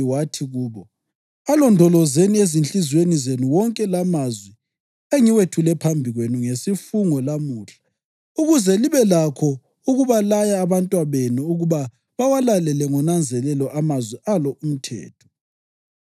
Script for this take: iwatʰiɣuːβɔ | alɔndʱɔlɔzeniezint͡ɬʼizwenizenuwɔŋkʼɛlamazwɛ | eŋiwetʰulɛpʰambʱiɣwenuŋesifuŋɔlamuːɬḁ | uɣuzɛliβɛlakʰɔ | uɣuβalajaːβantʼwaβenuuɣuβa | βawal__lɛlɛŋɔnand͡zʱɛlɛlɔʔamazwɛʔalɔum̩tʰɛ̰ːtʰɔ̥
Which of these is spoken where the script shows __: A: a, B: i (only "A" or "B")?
A